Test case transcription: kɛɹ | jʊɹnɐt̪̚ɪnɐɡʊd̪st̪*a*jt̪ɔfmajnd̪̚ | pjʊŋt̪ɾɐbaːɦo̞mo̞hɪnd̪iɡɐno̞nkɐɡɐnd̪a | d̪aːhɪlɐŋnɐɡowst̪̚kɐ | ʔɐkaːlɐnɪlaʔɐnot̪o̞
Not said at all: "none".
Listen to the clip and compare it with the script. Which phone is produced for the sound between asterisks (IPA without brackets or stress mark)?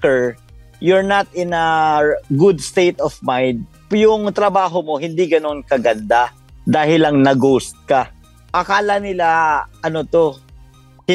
e